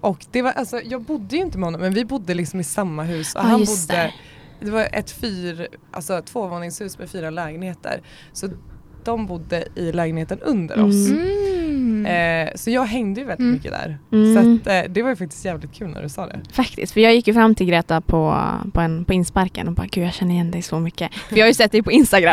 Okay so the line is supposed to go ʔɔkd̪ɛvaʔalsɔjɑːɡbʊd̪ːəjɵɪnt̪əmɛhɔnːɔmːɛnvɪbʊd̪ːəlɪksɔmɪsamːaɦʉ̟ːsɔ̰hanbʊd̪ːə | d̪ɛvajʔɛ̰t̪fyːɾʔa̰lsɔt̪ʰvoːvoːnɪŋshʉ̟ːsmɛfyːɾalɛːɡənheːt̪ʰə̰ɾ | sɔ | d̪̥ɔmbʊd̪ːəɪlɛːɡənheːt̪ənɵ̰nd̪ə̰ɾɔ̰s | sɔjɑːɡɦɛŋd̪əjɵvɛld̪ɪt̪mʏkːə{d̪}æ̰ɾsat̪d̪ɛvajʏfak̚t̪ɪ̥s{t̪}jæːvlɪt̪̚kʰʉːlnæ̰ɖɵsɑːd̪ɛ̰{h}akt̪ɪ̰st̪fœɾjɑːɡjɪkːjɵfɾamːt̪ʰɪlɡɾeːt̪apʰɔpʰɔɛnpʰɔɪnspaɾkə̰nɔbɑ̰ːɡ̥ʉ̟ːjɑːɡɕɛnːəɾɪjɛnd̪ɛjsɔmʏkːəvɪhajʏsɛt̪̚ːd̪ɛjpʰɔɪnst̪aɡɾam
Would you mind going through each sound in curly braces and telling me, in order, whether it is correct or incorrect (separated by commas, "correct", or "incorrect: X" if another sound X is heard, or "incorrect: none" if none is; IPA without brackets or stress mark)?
correct, correct, incorrect: f